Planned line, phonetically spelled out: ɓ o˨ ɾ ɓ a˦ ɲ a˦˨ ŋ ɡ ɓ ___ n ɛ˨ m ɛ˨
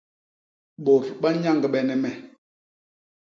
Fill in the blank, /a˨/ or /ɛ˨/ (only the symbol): ɛ˨